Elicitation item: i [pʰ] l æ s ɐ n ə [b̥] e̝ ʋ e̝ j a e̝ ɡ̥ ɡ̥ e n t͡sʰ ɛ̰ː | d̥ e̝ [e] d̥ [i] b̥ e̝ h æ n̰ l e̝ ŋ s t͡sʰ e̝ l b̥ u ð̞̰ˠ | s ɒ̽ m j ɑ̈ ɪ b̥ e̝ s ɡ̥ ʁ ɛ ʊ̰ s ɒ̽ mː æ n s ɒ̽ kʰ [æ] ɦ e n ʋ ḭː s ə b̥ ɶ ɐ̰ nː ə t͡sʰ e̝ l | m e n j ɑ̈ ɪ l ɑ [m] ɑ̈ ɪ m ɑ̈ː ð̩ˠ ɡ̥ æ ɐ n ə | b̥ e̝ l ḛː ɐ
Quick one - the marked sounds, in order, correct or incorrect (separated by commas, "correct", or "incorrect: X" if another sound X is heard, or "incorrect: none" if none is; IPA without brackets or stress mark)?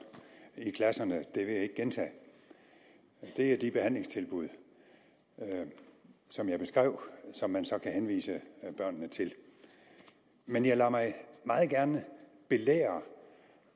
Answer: incorrect: kʰ, incorrect: d̥, incorrect: æ, correct, correct, correct